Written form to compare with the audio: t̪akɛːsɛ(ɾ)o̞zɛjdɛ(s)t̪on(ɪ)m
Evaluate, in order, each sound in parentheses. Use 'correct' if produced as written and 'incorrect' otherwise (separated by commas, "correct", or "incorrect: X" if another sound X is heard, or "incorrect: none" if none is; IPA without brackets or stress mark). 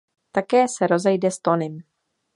correct, correct, correct